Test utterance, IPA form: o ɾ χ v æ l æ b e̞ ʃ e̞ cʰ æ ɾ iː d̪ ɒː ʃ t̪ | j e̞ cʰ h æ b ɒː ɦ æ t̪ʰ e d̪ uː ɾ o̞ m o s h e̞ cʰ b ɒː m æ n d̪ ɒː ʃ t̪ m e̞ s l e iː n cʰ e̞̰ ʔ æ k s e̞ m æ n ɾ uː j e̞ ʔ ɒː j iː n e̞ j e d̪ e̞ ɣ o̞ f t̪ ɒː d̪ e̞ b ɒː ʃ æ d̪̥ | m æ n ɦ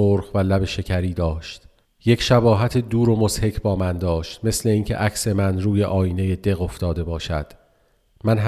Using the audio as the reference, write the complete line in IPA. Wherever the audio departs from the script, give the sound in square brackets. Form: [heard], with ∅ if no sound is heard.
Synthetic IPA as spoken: o ɾ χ v æ l æ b e̞ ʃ e̞ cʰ æ ɾ iː d̪ ɒː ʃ t̪ | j e̞ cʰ [ʃ] æ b ɒː ɦ æ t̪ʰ e d̪ uː ɾ o̞ m o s h e̞ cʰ b ɒː m æ n d̪ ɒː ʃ t̪ m e̞ s l e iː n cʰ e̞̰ ʔ æ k s e̞ m æ n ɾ uː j e̞ ʔ ɒː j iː n e̞ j e d̪ e̞ ɣ o̞ f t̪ ɒː d̪ e̞ b ɒː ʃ æ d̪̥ | m æ n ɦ